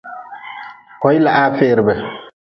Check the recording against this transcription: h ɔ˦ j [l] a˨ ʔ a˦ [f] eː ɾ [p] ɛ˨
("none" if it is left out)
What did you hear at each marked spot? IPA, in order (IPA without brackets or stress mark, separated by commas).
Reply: l, f, b